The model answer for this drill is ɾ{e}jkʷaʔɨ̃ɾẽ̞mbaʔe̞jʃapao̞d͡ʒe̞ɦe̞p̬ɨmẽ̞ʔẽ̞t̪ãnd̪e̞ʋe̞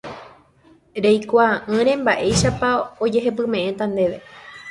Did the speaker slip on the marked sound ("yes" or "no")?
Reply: no